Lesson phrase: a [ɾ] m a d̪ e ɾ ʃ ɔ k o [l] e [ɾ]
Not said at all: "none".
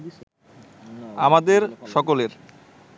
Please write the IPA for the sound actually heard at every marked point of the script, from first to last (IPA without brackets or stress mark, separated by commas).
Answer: none, l, ɾ